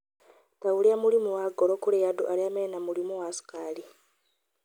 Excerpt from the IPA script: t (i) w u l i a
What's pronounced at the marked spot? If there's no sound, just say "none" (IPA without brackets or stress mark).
a